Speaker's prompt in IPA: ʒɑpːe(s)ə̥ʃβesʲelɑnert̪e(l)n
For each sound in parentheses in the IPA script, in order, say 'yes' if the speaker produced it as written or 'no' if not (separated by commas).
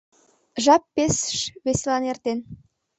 yes, no